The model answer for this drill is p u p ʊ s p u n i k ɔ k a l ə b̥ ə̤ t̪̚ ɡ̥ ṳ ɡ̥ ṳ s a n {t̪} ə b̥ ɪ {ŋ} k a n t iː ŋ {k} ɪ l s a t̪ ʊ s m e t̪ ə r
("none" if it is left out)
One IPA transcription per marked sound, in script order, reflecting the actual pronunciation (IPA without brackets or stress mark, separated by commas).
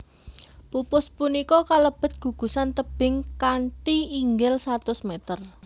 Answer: t̪, ŋ, ɡ